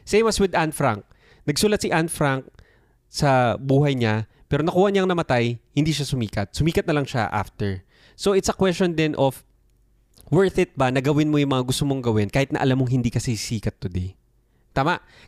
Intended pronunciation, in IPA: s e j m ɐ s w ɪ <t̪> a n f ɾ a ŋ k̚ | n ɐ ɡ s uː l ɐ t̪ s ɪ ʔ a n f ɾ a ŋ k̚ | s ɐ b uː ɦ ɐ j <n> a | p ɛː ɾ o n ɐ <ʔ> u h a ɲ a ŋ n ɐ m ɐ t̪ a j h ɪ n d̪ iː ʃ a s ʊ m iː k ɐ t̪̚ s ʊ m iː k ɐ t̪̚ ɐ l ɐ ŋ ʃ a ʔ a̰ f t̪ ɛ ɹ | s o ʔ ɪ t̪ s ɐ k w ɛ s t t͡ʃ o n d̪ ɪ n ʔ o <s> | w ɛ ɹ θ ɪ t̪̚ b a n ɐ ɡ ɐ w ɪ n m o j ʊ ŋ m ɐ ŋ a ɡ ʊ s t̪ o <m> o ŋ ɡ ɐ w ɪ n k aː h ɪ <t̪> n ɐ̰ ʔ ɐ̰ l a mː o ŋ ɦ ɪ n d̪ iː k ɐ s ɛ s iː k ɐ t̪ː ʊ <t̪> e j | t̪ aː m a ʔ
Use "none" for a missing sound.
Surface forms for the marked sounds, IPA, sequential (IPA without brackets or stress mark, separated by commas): d̪, ɲ, k, f, m, t̪, d̪